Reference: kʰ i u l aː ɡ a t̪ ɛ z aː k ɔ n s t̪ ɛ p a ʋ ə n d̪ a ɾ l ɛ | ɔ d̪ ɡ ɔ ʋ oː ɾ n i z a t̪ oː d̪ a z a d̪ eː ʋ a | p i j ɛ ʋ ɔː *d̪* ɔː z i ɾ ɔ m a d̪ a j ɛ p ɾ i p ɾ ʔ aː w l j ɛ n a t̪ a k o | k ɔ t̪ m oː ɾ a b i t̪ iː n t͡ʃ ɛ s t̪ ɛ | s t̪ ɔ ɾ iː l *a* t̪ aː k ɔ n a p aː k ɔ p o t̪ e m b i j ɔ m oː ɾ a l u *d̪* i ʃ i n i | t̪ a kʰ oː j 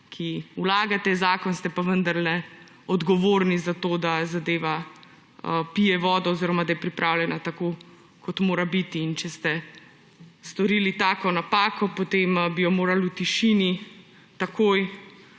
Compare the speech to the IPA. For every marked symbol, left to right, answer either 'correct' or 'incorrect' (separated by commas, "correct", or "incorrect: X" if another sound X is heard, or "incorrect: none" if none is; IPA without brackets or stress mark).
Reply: correct, incorrect: i, incorrect: t̪